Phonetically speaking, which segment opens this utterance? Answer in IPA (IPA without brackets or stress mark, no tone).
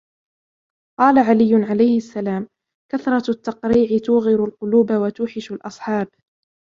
q